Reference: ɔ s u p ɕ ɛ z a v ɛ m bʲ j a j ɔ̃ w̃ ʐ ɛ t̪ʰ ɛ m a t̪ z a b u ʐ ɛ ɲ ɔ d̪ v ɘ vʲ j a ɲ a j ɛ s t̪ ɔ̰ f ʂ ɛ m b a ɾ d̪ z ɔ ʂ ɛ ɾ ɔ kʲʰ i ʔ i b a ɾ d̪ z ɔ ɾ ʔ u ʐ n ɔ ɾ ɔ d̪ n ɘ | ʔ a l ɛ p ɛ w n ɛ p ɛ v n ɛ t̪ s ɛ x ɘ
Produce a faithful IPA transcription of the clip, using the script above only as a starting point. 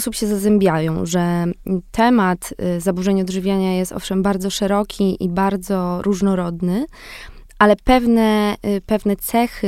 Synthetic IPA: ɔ s u p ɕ ɛ z a z ɛ m bʲ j a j ɔ̃ w̃ ʐ ɛ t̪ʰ ɛ m a t̪ z a b u ʐ ɛ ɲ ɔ d̪ ʐ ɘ vʲ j a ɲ a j ɛ s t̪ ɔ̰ f ʂ ɛ m b a ɾ d̪ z ɔ ʂ ɛ ɾ ɔ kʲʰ i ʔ i b a ɾ d̪ z ɔ ɾ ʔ u ʐ n ɔ ɾ ɔ d̪ n ɘ | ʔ a l ɛ p ɛ v n ɛ p ɛ v n ɛ t̪ s ɛ x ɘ